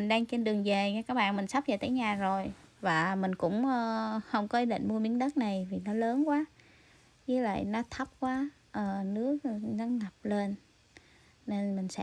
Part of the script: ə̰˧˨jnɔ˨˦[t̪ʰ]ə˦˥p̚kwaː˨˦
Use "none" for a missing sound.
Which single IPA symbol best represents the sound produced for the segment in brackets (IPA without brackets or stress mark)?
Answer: t̪ʰ